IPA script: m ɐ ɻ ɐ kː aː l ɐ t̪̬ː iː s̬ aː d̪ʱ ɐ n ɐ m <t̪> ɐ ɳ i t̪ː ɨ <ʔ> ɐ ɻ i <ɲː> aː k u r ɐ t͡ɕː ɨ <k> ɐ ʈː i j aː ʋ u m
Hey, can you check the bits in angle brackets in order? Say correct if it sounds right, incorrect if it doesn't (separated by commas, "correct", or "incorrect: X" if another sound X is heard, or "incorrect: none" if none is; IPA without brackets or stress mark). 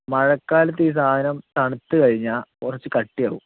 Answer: correct, incorrect: k, correct, correct